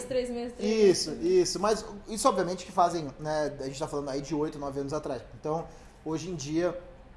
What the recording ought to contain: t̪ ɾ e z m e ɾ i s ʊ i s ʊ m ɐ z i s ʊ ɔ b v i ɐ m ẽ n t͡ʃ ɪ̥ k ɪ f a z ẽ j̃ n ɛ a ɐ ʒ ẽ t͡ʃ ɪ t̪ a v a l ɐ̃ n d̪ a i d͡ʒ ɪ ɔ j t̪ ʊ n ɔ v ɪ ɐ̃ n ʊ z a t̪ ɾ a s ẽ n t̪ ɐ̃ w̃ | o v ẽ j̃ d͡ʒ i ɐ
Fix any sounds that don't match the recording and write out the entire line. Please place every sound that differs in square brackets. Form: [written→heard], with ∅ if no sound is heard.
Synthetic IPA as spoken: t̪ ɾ e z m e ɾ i s ʊ i s ʊ m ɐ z i s ʊ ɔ b v i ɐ m ẽ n t͡ʃ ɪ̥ k ɪ f a z ẽ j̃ n ɛ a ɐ ʒ ẽ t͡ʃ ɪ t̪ a [v→f] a l ɐ̃ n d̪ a i d͡ʒ ɪ [ɔ→o] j t̪ ʊ n ɔ v ɪ ɐ̃ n ʊ z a t̪ ɾ a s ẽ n t̪ ɐ̃ w̃ | o [v→ʒ] ẽ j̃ d͡ʒ i ɐ